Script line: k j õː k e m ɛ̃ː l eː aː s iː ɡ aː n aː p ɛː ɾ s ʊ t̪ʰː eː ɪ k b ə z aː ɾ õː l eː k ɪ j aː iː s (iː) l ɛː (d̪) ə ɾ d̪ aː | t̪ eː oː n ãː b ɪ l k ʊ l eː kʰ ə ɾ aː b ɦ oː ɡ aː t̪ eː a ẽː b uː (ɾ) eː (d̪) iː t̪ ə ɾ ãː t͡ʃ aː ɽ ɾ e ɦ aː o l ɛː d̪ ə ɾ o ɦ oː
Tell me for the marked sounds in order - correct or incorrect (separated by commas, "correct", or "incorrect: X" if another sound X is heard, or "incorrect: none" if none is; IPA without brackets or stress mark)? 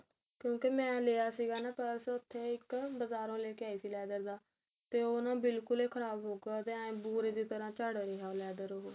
correct, correct, correct, correct